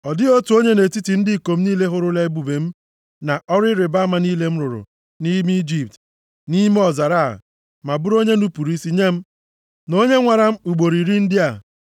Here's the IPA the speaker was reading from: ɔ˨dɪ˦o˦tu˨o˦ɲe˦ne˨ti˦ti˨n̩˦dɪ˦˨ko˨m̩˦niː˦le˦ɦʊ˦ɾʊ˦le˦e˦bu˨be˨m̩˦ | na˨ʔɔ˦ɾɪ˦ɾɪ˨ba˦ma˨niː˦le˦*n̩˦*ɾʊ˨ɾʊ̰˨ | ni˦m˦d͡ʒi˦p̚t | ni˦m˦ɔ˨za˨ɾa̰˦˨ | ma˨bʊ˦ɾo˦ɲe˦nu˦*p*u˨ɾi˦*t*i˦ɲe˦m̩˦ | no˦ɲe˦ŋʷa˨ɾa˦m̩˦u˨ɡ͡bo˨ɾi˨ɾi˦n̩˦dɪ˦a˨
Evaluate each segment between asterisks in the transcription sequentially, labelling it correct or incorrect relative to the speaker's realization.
incorrect: m̩˦, correct, incorrect: s

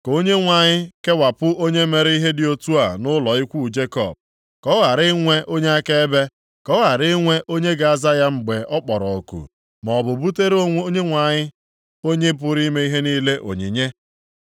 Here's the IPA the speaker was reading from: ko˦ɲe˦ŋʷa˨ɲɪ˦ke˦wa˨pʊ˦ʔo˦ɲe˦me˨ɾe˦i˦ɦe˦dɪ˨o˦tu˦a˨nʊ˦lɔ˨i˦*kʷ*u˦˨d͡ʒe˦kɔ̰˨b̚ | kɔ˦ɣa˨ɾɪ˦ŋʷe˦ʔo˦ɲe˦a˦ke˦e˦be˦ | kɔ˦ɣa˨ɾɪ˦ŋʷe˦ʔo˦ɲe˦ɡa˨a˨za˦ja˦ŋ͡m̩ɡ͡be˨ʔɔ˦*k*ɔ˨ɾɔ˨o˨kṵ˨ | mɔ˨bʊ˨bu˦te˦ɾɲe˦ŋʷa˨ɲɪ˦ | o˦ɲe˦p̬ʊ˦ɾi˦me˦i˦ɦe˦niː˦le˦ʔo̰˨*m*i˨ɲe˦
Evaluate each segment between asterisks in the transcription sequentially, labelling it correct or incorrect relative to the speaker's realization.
correct, incorrect: k͡p, incorrect: ɲ

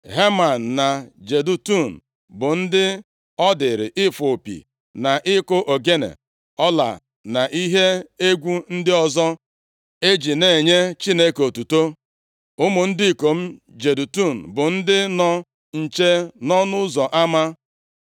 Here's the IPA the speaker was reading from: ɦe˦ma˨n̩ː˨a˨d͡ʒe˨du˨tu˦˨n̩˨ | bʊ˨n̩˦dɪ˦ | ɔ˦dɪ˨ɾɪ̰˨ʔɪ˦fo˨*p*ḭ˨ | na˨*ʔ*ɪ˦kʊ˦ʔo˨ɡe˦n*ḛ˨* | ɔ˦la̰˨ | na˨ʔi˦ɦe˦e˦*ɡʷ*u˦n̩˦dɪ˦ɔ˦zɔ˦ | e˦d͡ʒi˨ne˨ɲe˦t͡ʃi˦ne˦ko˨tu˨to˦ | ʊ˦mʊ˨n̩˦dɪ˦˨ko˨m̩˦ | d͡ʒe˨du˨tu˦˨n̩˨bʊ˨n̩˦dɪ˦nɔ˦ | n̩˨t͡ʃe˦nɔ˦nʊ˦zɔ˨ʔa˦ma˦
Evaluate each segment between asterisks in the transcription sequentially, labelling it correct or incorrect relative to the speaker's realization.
correct, correct, correct, correct

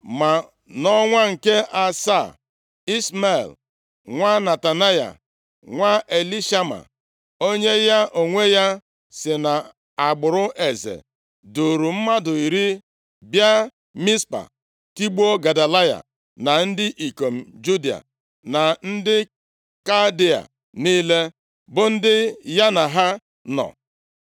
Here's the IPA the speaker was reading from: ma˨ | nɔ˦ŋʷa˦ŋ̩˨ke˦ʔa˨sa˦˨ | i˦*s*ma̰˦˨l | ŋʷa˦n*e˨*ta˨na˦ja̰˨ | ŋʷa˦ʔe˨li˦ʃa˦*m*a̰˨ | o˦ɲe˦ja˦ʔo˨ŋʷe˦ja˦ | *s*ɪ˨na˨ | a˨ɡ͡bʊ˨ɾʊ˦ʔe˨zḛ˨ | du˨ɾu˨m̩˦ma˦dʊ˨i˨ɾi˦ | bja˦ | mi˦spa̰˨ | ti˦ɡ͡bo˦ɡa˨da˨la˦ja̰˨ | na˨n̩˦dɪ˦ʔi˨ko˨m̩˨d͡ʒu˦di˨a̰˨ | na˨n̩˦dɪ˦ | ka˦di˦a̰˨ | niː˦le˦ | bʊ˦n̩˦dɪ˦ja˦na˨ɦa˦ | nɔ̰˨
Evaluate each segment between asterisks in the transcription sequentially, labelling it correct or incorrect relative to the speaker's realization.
correct, incorrect: a˨, correct, correct

